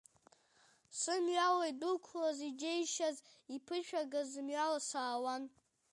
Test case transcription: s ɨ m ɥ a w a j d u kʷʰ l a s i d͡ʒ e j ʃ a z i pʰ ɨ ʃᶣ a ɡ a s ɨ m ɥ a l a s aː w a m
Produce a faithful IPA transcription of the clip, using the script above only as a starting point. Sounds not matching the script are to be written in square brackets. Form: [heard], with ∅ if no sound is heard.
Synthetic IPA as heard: s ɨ m ɥ a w a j d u kʷʰ l a [z] i d͡ʒ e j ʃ a z i pʰ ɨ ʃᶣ a ɡ a [z] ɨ m ɥ a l a s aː w a [n]